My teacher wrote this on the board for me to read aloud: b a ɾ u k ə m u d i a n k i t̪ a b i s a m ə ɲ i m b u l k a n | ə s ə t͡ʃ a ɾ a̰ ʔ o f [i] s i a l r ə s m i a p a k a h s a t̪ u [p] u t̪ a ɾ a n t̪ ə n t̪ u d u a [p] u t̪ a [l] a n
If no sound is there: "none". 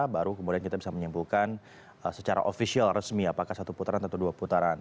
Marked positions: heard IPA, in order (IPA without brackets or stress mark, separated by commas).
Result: i, p, p, ɾ